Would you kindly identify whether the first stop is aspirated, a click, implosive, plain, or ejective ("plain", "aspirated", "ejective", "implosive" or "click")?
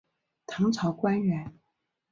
aspirated